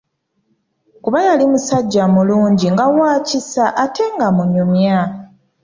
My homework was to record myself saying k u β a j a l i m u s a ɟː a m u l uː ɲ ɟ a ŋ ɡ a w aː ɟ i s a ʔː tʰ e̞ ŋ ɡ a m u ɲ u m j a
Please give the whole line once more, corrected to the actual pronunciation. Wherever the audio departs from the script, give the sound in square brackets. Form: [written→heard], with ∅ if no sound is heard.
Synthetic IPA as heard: k u β a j a l i m u s a ɟː a m u l uː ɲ ɟ [a→i] ŋ ɡ a w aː [ɟ→c] i s a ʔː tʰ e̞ ŋ ɡ a m u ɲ u m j a